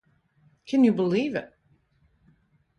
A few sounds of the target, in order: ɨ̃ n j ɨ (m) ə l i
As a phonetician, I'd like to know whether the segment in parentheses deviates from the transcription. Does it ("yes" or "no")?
yes